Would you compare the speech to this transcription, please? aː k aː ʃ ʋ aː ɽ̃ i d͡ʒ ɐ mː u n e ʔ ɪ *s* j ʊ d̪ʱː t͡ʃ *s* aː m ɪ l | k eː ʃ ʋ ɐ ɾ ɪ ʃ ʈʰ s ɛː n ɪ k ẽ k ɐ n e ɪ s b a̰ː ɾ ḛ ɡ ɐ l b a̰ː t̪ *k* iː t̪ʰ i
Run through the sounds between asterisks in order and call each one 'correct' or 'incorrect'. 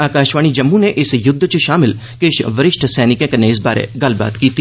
correct, incorrect: ʃ, correct

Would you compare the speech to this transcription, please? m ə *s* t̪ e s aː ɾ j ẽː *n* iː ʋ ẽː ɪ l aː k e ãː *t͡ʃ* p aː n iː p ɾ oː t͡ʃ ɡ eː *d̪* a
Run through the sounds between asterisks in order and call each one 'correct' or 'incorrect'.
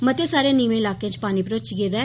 incorrect: none, correct, correct, correct

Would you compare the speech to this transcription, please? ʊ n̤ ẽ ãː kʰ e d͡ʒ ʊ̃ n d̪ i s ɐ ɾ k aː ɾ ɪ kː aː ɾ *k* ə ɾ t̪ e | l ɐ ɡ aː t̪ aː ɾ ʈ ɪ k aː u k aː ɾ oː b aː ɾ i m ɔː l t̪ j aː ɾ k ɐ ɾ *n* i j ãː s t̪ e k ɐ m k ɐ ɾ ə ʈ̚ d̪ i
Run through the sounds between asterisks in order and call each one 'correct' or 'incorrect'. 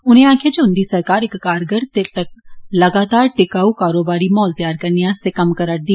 incorrect: ɡ, correct

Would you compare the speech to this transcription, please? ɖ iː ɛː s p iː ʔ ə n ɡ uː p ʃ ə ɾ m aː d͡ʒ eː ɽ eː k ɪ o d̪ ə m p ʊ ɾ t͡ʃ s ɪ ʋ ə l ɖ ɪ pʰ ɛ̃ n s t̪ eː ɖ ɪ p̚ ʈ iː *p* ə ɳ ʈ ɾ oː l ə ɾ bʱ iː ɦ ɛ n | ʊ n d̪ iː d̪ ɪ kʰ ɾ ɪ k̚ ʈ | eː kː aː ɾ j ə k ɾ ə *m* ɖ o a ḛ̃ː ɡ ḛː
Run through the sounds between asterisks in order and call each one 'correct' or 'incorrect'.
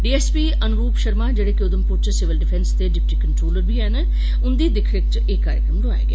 incorrect: k, correct

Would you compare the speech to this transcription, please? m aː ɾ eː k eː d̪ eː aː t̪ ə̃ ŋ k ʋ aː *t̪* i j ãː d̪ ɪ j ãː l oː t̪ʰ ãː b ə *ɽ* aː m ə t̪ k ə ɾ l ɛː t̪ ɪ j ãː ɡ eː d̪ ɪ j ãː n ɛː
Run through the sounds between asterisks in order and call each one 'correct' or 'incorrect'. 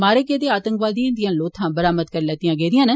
incorrect: d̪, incorrect: ɾ

